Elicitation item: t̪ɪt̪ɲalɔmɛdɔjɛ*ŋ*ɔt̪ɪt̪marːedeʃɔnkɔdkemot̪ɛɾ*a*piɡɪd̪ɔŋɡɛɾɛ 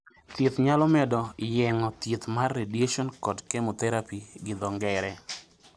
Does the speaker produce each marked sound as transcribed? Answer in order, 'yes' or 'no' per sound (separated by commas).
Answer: yes, yes